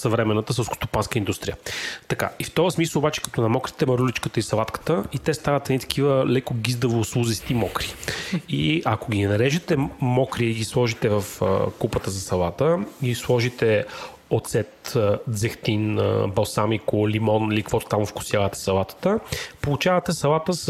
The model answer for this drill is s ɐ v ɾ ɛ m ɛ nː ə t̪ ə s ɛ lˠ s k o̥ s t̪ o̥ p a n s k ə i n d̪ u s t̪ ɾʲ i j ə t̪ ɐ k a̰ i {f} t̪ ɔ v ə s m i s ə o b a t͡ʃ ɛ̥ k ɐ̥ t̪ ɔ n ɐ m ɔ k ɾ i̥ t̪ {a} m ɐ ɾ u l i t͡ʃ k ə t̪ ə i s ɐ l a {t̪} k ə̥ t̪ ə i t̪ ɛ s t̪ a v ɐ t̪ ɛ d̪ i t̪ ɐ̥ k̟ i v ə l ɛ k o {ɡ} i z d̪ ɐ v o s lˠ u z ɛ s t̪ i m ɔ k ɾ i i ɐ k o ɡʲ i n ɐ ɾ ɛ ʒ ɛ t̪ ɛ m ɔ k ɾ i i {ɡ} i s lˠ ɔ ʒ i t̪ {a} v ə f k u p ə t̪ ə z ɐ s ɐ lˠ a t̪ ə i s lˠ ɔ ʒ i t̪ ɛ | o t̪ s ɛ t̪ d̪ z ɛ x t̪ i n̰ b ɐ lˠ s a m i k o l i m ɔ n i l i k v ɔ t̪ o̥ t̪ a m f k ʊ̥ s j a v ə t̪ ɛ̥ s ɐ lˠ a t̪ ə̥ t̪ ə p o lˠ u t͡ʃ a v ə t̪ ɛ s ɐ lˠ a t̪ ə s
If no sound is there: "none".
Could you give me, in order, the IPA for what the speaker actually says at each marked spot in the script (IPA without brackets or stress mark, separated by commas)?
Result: f, ɛ, t̪, ɡ, ɡ, ɛ